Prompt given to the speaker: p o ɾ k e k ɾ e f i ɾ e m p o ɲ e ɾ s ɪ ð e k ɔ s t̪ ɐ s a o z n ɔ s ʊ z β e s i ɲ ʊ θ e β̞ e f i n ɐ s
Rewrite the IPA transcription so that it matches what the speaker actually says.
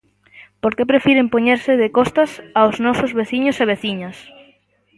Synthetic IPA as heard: p o ɾ k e p ɾ e f i ɾ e m p o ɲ e ɾ s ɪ ð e k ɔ s t̪ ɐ s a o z n ɔ s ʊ z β e θ i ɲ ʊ s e β̞ e θ i ɲ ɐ s